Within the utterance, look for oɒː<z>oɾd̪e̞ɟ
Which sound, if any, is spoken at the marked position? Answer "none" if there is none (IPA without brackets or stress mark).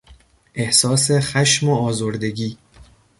z